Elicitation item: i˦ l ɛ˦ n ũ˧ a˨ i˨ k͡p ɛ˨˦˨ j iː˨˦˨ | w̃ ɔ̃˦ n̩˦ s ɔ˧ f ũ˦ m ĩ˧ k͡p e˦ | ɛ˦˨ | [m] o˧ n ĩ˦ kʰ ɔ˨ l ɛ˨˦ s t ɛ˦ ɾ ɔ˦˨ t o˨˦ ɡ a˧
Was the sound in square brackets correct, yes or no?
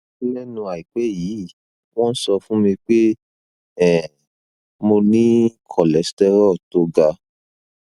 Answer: yes